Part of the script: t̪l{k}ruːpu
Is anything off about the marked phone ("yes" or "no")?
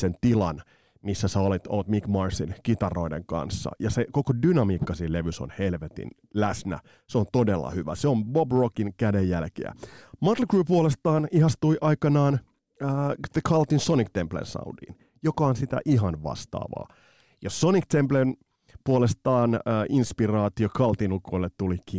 no